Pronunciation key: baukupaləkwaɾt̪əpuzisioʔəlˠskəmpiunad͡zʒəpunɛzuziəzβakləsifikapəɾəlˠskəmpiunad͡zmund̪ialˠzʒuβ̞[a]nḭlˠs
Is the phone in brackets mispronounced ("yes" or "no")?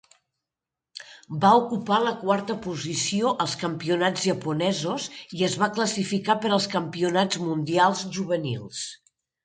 yes